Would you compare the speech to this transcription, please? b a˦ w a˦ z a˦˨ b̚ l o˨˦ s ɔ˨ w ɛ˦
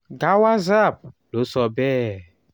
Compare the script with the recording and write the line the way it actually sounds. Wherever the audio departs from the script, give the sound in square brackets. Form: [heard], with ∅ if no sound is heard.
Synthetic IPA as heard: [ɡ] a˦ w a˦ z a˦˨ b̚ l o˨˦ s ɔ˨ [b] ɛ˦